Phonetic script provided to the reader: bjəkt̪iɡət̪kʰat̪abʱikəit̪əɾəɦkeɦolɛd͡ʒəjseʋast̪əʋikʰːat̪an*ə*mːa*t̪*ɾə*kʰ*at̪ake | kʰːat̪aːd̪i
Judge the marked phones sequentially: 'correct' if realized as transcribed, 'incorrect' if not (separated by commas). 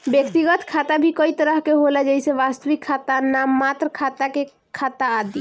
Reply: incorrect, correct, correct